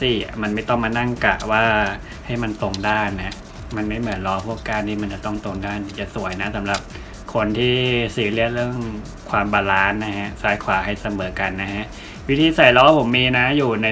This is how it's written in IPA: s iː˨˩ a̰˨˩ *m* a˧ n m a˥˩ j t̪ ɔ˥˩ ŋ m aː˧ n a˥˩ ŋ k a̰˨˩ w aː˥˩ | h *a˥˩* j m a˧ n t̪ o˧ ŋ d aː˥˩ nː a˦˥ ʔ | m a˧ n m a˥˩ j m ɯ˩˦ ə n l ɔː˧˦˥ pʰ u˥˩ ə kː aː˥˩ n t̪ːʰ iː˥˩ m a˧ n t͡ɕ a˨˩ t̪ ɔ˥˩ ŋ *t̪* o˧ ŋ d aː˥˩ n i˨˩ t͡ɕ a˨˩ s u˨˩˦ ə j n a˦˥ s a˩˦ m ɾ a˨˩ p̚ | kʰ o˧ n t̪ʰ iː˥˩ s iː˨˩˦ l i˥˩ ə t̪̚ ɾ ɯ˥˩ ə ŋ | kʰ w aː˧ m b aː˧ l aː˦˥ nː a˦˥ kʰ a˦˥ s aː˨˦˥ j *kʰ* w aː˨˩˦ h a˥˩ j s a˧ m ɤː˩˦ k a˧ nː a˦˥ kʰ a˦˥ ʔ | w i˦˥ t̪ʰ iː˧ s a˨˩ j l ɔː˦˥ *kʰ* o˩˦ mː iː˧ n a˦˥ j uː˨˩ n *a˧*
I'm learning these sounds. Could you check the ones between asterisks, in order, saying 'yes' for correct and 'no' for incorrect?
yes, yes, yes, yes, no, yes

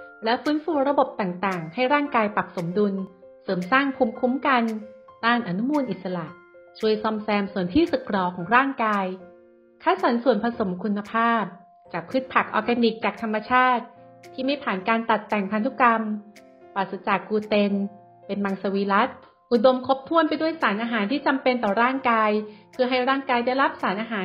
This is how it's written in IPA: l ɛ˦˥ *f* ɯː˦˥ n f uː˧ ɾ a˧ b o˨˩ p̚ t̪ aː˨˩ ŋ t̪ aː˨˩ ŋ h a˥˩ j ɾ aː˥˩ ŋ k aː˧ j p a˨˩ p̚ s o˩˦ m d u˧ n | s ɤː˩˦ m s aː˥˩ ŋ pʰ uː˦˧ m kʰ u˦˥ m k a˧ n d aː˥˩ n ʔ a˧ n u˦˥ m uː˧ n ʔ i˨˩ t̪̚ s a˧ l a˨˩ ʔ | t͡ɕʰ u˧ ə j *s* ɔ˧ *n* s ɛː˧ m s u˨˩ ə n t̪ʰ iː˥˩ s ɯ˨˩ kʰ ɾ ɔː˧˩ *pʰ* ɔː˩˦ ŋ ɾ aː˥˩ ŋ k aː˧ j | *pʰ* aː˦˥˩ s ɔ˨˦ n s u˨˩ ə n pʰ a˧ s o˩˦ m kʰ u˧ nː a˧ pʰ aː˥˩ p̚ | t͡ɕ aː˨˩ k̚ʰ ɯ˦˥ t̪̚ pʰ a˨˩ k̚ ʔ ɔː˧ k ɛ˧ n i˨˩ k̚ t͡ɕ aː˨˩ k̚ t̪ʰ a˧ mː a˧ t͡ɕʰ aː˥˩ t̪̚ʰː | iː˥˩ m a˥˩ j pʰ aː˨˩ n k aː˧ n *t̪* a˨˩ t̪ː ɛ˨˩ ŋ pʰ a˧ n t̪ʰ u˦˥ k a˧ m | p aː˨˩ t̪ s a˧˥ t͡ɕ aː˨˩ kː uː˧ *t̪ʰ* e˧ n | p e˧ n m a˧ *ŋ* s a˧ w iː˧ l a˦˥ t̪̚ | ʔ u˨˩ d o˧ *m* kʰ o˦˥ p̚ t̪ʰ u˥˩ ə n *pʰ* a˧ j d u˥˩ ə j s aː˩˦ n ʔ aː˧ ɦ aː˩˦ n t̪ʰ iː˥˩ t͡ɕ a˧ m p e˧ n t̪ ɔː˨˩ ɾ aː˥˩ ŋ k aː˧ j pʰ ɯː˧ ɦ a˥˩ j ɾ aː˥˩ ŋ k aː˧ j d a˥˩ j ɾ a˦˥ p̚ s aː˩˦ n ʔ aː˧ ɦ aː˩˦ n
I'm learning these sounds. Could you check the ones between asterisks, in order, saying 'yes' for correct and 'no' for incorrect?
yes, yes, no, no, no, yes, no, yes, yes, no

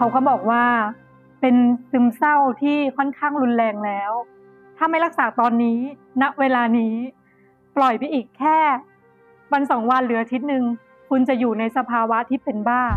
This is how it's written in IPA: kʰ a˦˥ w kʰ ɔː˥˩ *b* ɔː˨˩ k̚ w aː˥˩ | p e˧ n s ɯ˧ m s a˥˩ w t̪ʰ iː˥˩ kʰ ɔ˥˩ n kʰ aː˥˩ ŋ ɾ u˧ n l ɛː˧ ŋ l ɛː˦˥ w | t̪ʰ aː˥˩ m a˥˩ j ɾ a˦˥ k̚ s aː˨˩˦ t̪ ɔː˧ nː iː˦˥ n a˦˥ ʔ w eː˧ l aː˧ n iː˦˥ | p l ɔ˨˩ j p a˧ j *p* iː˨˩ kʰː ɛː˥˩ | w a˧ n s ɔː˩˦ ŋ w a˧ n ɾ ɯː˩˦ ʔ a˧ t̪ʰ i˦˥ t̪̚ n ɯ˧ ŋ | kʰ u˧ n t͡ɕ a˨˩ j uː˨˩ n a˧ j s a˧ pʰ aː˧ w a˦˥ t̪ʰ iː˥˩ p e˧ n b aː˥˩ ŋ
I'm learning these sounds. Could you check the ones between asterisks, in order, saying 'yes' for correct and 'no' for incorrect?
yes, no

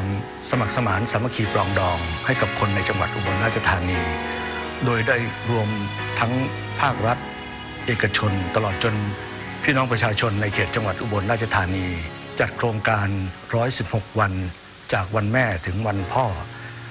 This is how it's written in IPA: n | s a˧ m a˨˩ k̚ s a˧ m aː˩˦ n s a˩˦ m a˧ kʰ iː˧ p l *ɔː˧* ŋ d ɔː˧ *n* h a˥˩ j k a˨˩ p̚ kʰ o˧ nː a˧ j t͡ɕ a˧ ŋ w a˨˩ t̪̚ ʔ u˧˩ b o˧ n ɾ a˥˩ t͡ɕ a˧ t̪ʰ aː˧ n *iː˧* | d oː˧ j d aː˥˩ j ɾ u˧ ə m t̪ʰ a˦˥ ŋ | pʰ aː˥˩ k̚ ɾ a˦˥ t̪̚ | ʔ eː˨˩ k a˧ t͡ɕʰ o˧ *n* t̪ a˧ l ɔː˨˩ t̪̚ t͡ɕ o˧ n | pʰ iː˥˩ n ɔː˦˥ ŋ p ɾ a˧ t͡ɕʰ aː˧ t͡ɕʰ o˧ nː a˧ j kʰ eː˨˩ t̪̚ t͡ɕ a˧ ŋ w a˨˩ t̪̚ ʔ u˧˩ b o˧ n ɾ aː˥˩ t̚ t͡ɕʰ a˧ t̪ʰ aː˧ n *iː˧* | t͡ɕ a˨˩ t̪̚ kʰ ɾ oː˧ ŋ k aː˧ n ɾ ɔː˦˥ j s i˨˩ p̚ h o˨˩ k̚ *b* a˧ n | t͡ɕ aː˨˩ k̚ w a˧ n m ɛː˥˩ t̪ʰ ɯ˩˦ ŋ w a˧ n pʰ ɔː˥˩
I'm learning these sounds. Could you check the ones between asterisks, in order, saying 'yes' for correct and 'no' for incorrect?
yes, no, yes, yes, yes, no

